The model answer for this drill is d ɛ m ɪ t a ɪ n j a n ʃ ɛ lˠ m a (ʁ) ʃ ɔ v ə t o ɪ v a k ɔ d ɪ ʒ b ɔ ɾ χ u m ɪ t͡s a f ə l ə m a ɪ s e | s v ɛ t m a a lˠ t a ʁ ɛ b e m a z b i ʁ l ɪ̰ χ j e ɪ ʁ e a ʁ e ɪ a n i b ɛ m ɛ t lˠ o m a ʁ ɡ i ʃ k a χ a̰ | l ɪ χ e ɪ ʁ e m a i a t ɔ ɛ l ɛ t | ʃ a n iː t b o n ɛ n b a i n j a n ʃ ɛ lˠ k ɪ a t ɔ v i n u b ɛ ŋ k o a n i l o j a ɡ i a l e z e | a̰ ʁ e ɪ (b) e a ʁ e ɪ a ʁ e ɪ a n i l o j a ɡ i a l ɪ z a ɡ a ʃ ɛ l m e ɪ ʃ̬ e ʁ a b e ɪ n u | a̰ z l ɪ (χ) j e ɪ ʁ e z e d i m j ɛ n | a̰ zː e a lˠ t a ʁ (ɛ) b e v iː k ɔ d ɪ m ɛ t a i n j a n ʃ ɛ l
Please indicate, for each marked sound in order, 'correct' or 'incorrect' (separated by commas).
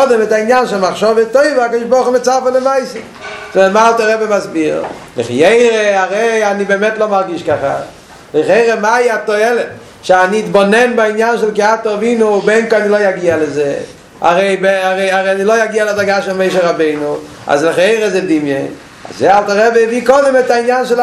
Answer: incorrect, correct, correct, correct